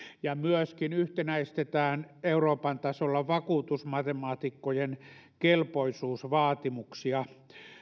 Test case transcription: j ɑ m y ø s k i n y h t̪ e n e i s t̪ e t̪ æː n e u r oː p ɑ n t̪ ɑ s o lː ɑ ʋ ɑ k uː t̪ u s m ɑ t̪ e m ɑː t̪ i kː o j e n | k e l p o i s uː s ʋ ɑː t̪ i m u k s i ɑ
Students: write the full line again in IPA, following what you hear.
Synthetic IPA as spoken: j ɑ m y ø s k i n y h t̪ e n æ i s t̪ e t̪ æː n e u r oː p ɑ n t̪ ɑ s o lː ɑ ʋ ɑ k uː t̪ u s m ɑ t̪ e m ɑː t̪ i kː o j e n | k e l p o i s uː s ʋ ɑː t̪ i m u k s i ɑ

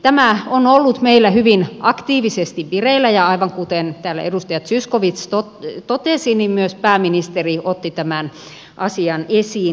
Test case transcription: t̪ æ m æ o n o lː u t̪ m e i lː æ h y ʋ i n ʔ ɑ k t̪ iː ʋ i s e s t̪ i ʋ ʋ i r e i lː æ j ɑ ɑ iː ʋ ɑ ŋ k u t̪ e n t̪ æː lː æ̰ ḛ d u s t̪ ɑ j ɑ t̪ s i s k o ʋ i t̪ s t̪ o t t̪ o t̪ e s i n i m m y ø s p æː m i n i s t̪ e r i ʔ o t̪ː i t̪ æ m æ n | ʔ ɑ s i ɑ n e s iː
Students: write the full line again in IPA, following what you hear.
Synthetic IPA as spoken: t̪ æ m æ o n o lː u t̪ m e i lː æ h y ʋ i n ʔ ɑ k t̪ iː ʋ i s e s t̪ i ʋ ʋ i r e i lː æ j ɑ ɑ i ʋ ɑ ŋ k u t̪ e n t̪ æː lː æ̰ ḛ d u s t̪ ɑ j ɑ t̪ s y s k o ʋ i t̪ s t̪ o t t̪ o t̪ e s i n i m m y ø s p æː m i n i s t̪ e r i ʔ o t̪ː i t̪ æ m æ n | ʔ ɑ s i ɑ n e s iː

